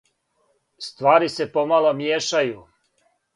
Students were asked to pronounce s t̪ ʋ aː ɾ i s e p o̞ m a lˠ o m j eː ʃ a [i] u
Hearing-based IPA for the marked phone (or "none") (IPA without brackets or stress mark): j